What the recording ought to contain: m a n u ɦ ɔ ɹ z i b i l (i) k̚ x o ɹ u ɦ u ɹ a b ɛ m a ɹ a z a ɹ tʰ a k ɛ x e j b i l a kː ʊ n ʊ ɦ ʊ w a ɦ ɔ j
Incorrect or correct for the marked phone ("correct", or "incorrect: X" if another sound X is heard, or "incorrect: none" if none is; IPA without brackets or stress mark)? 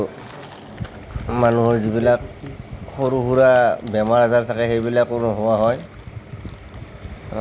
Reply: incorrect: a